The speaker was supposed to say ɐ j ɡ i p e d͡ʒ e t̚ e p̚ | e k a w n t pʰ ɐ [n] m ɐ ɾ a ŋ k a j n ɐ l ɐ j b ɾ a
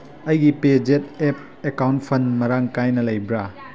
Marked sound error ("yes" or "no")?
no